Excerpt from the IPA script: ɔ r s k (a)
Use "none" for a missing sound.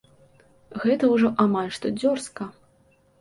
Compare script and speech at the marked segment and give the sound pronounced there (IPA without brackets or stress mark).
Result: ɐ